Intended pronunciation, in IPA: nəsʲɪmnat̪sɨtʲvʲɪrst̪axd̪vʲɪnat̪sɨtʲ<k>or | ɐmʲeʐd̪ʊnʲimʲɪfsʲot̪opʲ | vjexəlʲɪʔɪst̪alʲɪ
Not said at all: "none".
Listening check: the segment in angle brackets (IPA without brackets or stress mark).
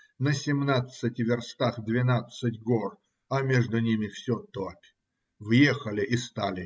ɡ